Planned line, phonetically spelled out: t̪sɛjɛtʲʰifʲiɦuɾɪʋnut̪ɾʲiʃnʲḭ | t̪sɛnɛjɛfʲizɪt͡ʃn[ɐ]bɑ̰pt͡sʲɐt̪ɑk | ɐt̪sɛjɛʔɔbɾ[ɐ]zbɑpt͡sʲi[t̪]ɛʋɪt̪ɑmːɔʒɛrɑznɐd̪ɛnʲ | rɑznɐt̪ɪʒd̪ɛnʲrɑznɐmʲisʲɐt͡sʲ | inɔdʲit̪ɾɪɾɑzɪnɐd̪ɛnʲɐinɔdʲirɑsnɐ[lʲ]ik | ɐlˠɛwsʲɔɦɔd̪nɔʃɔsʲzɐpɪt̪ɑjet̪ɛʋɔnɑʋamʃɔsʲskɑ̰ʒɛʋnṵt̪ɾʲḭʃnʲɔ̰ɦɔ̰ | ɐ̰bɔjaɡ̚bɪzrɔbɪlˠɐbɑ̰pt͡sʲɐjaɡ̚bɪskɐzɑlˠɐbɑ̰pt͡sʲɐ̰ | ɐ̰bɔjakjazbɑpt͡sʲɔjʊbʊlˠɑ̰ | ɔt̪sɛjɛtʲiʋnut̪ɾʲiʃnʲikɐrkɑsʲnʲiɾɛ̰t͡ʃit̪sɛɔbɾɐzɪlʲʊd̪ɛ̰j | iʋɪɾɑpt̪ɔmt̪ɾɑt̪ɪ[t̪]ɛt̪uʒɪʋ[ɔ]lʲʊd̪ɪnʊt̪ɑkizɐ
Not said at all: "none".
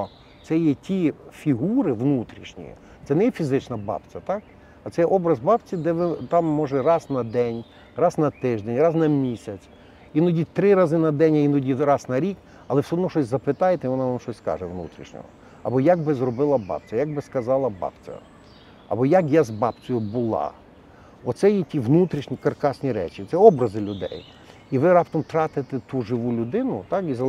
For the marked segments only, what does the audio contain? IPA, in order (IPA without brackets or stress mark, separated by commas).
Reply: ɐ, ɐ, d̪, ɾʲ, t̪, u